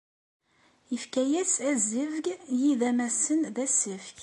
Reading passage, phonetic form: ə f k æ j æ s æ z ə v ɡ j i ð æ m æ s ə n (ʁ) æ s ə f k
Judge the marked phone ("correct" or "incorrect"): incorrect